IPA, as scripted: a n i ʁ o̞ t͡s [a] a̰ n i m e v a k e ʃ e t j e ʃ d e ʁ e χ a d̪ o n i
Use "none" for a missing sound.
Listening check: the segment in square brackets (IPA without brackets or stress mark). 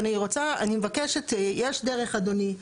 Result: a